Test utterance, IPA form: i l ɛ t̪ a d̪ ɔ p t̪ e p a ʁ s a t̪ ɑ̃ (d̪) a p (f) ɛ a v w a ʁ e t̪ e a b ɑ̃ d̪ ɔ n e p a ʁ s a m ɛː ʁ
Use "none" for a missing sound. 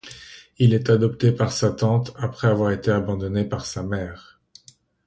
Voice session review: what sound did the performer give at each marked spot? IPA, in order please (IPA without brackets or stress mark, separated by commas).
t̪, χ